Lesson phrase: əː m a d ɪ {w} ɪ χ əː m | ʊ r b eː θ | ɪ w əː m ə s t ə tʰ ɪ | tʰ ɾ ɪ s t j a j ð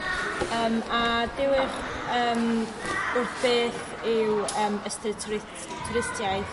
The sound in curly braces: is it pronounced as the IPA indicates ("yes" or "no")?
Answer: yes